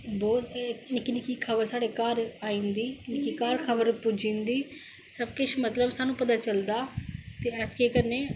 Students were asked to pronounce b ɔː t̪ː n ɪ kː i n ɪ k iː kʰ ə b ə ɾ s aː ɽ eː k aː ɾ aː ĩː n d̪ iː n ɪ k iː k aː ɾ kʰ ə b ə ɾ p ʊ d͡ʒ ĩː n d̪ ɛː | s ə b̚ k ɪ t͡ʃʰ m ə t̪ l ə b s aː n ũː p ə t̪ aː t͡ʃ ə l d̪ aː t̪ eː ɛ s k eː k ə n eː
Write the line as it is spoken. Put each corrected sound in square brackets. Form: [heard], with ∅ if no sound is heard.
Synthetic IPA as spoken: b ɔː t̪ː n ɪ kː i n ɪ k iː kʰ ə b ə ɾ s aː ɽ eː k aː ɾ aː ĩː n d̪ iː n ɪ k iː k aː ɾ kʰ ə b ə ɾ p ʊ d͡ʒ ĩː n d̪ [iː] | s ə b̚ k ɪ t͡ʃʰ m ə t̪ l ə b s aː n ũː p ə t̪ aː t͡ʃ ə l d̪ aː t̪ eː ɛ s k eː k ə n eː